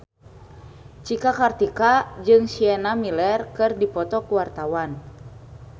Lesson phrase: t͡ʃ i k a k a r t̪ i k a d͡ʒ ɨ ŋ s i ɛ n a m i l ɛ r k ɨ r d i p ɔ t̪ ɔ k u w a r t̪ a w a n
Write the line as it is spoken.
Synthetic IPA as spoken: t͡ʃ i k a k a r t̪ i k a d͡ʒ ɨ ŋ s i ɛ n a m i l ɛ r k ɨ r d i p ɔ t̪ ɔ k u w a r t̪ a w a n